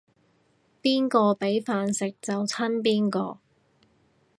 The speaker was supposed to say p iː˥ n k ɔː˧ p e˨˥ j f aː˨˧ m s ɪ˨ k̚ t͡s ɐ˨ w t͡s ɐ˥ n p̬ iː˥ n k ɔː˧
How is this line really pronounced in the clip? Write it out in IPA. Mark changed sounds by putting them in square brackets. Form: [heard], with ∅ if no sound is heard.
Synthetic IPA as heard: p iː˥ n k ɔː˧ p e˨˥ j f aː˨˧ [n] s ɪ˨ k̚ t͡s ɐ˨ w [t͡sʰ] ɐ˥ n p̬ iː˥ n k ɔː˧

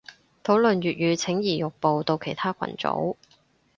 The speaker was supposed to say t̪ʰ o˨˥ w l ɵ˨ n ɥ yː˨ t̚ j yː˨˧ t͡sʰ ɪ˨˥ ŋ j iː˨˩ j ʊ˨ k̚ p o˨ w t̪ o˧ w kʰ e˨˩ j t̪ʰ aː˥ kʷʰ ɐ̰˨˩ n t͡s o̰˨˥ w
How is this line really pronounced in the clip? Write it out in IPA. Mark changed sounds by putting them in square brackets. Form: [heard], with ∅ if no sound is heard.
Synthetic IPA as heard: t̪ʰ o˨˥ w l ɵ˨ n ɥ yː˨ t̚ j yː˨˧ t͡sʰ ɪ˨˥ ŋ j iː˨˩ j ʊ˨ k̚ p o˨ w t̪ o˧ w kʰ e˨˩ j t̪ʰ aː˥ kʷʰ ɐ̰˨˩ n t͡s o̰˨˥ w

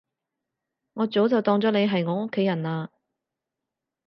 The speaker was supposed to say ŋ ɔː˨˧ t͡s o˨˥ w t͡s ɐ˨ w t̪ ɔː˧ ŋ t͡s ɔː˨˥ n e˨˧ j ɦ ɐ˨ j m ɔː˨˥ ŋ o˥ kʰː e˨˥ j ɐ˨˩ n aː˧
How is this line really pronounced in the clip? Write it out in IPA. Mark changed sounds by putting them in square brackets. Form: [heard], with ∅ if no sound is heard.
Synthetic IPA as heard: ŋ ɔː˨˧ t͡s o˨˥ w t͡s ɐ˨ w t̪ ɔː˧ ŋ t͡s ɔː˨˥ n e˨˧ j ɦ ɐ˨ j [ŋ] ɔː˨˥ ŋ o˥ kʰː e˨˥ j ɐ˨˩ n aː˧

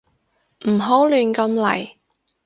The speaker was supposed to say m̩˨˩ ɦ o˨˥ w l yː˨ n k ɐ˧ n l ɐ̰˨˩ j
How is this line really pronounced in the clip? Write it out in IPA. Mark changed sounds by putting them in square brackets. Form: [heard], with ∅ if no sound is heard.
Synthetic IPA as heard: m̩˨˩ ɦ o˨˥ w l yː˨ n k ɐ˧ [m] l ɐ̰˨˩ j

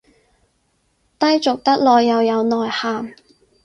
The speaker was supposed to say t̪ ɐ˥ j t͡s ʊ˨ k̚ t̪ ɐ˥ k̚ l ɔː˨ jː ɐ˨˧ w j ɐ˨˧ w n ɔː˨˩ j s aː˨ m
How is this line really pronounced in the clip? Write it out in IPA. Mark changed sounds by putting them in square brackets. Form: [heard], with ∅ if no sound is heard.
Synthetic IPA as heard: t̪ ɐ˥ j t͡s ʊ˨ k̚ t̪ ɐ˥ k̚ l ɔː˨ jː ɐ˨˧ w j ɐ˨˧ w n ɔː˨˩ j [h] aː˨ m

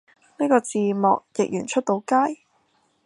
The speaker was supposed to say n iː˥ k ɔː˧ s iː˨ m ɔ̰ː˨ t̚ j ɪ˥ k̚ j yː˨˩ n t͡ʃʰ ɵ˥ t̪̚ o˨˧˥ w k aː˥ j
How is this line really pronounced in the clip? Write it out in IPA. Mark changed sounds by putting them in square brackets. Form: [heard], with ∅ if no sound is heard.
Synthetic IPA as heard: n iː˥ k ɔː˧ [t͡s] iː˨ m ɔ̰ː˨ [k̚] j [ɪ˨] k̚ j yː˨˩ n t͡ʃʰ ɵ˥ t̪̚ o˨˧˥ w k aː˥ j

